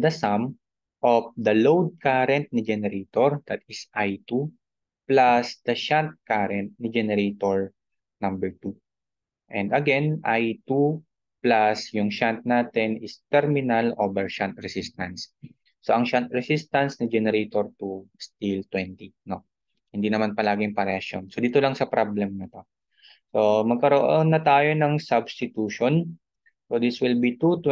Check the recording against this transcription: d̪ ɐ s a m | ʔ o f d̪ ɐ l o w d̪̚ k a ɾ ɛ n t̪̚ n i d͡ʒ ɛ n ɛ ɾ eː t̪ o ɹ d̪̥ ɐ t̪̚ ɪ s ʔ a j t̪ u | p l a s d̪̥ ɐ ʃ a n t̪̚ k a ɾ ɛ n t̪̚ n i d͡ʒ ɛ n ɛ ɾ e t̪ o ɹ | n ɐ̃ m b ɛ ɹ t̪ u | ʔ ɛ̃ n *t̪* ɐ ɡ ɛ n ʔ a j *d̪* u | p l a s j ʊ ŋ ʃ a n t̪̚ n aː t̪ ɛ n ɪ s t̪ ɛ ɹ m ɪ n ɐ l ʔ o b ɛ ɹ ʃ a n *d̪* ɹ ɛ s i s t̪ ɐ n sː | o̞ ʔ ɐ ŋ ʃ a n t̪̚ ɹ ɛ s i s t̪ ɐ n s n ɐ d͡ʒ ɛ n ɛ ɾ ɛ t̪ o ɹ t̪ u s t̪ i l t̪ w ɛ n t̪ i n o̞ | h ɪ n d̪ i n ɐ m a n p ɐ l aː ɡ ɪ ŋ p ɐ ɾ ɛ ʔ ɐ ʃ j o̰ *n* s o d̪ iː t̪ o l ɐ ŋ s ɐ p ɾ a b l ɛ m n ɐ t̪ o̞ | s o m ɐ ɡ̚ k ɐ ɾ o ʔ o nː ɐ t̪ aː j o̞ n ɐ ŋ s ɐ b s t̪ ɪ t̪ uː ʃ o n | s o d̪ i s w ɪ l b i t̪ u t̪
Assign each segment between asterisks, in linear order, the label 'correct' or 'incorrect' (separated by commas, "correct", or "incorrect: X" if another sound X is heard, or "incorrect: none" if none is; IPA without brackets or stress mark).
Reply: incorrect: d̪, incorrect: t̪, incorrect: t̪, correct